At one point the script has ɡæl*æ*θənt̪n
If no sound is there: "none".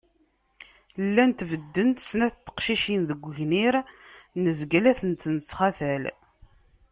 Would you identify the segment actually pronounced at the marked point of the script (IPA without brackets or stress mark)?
æ